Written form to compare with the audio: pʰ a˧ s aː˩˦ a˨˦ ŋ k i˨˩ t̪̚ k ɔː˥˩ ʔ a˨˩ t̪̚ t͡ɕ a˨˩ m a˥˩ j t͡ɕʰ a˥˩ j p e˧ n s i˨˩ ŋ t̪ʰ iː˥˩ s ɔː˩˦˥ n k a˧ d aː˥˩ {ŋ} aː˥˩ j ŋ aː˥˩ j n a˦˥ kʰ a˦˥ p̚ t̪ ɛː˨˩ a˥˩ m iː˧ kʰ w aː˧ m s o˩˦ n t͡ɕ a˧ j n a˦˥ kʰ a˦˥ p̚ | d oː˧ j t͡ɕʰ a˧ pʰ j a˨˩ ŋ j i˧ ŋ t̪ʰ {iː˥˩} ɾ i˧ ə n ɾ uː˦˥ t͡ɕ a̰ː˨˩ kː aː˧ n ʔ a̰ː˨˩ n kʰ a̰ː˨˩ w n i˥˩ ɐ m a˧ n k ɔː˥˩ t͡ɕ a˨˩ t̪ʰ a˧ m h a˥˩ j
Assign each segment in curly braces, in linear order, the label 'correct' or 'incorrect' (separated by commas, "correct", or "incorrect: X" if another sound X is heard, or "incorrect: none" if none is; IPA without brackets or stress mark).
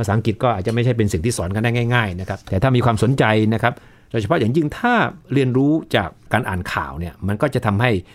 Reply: correct, incorrect: aː˥˩